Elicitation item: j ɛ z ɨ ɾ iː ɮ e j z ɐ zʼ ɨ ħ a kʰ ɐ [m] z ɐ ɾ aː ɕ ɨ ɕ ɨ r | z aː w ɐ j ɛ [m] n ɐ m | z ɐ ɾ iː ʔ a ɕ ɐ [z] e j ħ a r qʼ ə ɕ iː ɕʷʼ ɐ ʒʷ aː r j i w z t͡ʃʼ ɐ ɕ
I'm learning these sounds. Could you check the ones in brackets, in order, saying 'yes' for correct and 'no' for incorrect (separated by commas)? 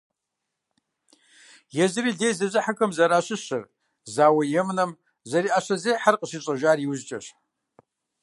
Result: yes, yes, yes